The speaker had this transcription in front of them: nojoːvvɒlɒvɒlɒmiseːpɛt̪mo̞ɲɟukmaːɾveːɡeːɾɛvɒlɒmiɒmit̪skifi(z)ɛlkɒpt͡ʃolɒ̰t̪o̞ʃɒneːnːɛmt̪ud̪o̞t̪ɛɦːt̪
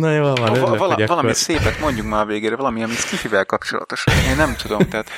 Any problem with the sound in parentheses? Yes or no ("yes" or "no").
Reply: yes